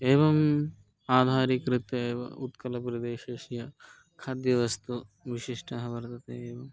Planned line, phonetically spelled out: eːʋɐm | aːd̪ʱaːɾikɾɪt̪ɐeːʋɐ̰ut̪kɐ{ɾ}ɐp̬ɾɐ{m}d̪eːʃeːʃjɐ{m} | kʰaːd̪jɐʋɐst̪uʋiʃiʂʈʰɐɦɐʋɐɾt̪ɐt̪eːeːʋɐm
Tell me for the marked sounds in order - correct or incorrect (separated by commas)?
incorrect, incorrect, incorrect